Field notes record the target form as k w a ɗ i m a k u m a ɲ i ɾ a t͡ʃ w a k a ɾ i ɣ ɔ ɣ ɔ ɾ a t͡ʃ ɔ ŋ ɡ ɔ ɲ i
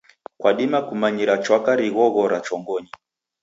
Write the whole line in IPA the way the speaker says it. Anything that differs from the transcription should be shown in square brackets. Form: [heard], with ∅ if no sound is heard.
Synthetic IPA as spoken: k w a ɗ i m a k u m a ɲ i ɾ a t͡ʃ w a k a ɾ i ɣ ɔ ɣ ɔ ɾ a t͡ʃ ɔ ŋ ɡ ɔ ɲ i

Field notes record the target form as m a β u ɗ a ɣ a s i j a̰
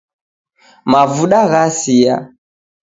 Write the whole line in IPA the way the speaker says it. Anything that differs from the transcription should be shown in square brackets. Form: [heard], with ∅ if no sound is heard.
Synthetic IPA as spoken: m a [v] u ɗ a ɣ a s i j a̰

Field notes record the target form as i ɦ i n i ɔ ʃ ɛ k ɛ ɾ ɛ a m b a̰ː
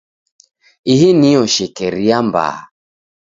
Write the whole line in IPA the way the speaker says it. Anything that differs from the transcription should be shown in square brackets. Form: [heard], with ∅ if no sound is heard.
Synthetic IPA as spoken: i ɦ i n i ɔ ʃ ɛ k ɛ ɾ [i] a m b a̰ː

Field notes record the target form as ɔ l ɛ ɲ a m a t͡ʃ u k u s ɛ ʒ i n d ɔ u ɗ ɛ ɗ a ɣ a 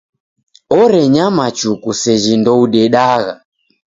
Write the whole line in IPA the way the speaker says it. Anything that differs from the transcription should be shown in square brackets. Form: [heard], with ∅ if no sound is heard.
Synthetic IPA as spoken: ɔ [ɾ] ɛ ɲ a m a t͡ʃ u k u s ɛ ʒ i n d ɔ u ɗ ɛ ɗ a ɣ a

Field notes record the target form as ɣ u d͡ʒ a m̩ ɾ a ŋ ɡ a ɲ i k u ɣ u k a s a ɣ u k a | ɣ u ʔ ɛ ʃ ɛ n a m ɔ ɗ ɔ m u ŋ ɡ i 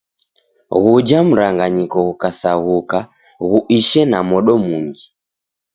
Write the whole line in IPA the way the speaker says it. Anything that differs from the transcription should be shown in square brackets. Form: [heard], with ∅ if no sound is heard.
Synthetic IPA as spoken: ɣ u d͡ʒ a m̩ ɾ a ŋ ɡ a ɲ i k [ɔ] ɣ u k a s a ɣ u k a | ɣ u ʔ [i] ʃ ɛ n a m ɔ ɗ ɔ m u ŋ ɡ i

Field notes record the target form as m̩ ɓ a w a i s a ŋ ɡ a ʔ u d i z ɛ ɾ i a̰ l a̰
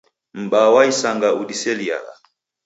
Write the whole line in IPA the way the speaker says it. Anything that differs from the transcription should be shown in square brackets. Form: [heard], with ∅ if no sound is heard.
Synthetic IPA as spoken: m̩ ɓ a w a i s a ŋ ɡ a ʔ u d i [s] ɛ [l] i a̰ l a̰

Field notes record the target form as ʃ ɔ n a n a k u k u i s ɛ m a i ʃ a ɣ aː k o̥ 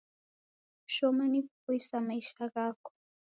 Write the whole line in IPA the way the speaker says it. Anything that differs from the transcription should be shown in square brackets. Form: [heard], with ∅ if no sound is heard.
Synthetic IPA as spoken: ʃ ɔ [m] a n [i] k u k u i s [a] m a i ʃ a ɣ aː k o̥

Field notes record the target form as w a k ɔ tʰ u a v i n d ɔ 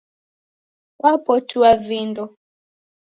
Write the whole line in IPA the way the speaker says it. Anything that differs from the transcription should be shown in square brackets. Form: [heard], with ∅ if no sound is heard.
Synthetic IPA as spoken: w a [p] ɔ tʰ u a v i n d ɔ

